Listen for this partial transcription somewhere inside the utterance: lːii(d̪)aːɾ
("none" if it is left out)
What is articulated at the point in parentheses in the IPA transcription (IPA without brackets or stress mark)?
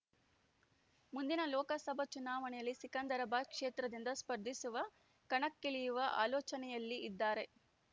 d̪ː